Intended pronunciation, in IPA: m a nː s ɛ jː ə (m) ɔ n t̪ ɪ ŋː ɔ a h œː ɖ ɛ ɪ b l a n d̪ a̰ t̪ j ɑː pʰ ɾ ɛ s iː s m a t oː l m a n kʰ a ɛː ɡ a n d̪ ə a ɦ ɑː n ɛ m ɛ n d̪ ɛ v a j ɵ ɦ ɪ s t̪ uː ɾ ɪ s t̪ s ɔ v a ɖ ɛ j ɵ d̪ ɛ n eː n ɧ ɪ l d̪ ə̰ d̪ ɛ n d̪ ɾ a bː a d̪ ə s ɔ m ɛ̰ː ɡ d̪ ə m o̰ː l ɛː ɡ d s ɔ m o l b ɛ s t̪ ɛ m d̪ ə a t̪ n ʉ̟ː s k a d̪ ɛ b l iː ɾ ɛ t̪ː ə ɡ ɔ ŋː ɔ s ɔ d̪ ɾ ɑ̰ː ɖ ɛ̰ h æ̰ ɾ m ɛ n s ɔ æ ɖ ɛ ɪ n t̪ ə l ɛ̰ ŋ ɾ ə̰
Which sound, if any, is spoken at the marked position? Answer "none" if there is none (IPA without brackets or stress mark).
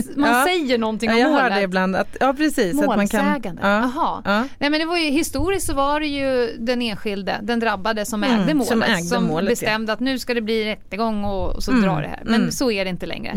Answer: ɳ